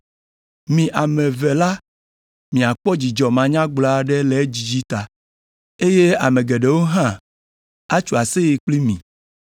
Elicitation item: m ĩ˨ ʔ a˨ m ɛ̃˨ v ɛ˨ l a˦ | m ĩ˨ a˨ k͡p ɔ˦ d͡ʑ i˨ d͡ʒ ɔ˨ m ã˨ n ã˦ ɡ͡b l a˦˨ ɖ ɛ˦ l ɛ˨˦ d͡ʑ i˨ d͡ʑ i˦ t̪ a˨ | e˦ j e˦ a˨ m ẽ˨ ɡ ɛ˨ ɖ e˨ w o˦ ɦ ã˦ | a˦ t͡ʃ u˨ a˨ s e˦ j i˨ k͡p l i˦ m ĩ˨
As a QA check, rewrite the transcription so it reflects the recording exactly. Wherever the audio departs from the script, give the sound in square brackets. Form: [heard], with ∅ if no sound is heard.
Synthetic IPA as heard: m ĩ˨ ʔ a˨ m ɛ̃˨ v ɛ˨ l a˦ | m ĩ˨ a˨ k͡p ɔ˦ d͡ʑ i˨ d͡ʒ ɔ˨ m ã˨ [ɲ] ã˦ ɡ͡b l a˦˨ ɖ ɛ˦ l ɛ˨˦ d͡ʑ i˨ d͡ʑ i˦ t̪ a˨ | e˦ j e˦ a˨ m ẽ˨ ɡ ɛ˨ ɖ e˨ w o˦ ɦ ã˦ | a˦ t͡ʃ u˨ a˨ s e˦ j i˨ k͡p l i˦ m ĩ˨